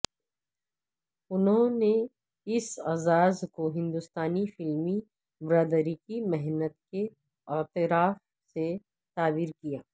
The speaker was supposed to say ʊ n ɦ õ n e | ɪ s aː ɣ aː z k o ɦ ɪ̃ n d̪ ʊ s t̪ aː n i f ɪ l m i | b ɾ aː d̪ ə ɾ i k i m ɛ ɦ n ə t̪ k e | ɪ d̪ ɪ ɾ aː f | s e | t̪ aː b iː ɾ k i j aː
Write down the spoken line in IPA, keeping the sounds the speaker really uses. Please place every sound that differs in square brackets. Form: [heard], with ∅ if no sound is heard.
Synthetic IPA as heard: ʊ n ɦ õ n e | ɪ s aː [z] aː z k o ɦ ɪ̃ n d̪ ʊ s t̪ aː n i f ɪ l m i | b ɾ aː d̪ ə ɾ i k i m ɛ ɦ n ə t̪ k e | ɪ [t̪] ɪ ɾ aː f | s e | t̪ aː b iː ɾ k i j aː

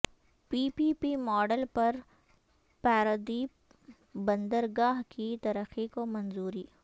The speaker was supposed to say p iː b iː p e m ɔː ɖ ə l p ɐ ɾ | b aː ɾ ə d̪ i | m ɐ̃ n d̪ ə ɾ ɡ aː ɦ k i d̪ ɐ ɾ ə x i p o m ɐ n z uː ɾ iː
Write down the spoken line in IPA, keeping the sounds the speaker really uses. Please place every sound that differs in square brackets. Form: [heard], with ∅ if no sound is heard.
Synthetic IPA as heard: p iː [p] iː p [i] m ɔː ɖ ə l p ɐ ɾ | [p] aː ɾ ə d̪ i | [b] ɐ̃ n d̪ ə ɾ ɡ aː ɦ k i [t̪] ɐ ɾ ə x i [k] o m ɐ n z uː ɾ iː

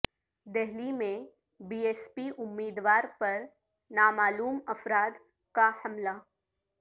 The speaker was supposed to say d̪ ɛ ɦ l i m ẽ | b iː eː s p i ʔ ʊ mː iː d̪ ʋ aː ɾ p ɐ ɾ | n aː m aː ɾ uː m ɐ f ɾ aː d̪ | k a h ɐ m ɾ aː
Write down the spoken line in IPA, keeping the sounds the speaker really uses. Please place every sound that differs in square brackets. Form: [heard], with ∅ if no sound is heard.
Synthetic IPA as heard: d̪ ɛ ɦ l i m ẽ | b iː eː s p i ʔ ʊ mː iː d̪ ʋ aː ɾ p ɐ ɾ | n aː m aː [l] uː m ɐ f ɾ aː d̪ | k a h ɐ m [l] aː

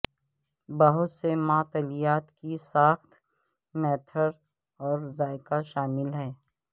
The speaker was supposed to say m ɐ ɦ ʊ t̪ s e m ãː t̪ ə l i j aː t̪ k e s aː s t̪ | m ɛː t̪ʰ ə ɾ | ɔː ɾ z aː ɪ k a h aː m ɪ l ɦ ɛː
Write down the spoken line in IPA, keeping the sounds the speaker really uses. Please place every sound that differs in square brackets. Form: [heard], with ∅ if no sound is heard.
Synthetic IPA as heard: [b] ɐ ɦ ʊ t̪ s e m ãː t̪ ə l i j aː t̪ k [i] s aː [x] t̪ | m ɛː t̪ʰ ə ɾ | ɔː ɾ z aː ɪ k a [ʃ] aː m ɪ l ɦ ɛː

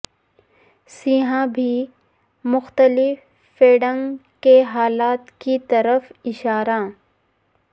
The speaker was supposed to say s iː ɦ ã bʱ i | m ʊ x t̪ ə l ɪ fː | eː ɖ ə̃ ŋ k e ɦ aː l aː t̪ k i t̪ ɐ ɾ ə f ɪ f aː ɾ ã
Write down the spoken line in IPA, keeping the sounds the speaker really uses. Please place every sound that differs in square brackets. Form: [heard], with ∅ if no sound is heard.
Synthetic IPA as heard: s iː ɦ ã bʱ i | m ʊ x t̪ ə l ɪ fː | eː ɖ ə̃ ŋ k e ɦ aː l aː t̪ k i t̪ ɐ ɾ ə f ɪ [ʃ] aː ɾ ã

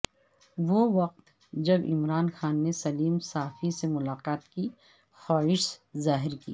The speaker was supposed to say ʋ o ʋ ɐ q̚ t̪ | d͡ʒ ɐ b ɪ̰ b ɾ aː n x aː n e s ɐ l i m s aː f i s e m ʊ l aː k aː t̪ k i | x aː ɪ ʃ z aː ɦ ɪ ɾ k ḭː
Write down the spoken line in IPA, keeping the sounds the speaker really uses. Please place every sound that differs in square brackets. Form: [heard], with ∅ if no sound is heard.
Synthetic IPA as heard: ʋ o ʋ ɐ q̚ t̪ | d͡ʒ ɐ b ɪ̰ [m] ɾ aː n x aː [nː] e s ɐ l [iː] m s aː f i s e m ʊ l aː [q] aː t̪ k i | x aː ɪ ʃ z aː ɦ ɪ ɾ k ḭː

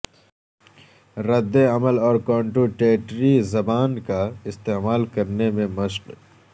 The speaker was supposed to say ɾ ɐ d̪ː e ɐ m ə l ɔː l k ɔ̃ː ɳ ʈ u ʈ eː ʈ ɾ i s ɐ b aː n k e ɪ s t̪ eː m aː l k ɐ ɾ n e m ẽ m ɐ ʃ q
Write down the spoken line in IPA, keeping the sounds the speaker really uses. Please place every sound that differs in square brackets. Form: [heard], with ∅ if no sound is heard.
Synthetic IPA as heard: ɾ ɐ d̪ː e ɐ m ə l ɔː [ɾ] k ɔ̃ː ɳ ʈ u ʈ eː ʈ ɾ i [z] ɐ b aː n k [a] ɪ s t̪ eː m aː l k ɐ ɾ n e m ẽ m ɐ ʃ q

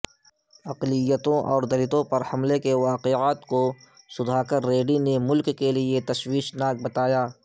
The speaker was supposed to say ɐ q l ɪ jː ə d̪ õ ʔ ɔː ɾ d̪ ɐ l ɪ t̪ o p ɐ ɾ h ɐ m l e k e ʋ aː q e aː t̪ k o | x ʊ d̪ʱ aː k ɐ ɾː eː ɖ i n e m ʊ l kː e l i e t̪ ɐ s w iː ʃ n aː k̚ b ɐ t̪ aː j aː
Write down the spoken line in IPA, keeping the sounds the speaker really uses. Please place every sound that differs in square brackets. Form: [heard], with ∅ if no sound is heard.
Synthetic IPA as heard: ɐ q l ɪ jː ə [t̪] õ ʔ ɔː ɾ d̪ ɐ l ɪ t̪ [õ] p ɐ ɾ h ɐ m l e k e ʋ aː q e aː t̪ k o | [s] ʊ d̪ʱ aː k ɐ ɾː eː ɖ i n e m ʊ l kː e l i e t̪ ɐ [ʃ] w iː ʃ n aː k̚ b ɐ t̪ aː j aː

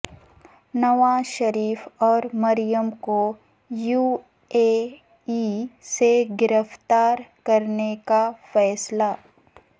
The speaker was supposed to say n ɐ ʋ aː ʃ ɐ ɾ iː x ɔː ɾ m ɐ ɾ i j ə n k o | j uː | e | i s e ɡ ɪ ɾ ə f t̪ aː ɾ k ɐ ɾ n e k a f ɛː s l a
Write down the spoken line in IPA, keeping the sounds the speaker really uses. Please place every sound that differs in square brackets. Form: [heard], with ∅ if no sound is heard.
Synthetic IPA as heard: n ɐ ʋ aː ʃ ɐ ɾ iː [f] ɔː ɾ m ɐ ɾ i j ə [m] k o | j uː | e | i s e ɡ ɪ ɾ ə f t̪ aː ɾ k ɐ ɾ n e k a f ɛː s l a

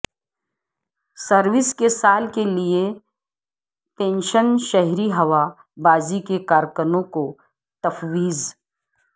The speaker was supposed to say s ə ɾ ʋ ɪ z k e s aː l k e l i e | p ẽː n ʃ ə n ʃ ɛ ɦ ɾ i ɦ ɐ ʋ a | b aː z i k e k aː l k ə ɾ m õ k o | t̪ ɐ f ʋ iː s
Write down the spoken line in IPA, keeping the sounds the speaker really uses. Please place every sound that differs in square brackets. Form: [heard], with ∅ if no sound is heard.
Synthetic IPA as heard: s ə ɾ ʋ ɪ [s] k e s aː l k e l i e | p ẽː n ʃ ə n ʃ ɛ ɦ ɾ i ɦ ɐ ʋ a | b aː z i k e k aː [ɾ] k ə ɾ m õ k o | t̪ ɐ f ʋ iː [z]

